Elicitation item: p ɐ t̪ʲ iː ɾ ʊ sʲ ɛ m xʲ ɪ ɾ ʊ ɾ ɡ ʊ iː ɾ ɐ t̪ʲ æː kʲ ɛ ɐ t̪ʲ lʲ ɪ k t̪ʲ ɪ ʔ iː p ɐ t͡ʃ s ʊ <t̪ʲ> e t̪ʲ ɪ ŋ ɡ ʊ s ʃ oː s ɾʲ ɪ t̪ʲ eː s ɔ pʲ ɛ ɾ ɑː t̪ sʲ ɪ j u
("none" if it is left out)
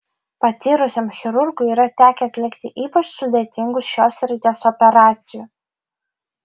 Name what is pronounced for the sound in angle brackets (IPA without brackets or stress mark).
d̪ʲ